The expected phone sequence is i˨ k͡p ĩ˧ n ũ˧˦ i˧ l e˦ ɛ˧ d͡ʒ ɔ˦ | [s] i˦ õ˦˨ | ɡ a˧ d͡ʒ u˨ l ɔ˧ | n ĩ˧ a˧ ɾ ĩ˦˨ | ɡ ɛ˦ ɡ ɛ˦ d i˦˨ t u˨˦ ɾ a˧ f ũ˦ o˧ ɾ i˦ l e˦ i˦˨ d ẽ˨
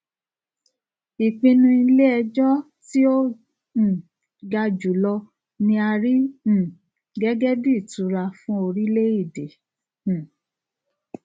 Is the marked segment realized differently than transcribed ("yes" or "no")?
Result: yes